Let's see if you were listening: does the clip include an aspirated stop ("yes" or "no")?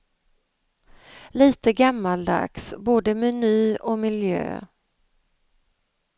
no